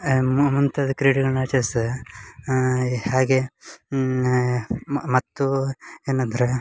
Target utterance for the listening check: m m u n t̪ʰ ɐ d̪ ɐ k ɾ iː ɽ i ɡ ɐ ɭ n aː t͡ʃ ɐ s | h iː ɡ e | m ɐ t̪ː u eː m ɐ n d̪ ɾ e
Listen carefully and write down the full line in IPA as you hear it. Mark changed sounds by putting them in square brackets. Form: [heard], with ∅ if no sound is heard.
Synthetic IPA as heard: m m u n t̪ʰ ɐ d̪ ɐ k ɾ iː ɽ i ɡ ɐ ɭ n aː t͡ʃ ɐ s | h [aː] ɡ e | m ɐ t̪ː u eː [n] ɐ n d̪ ɾ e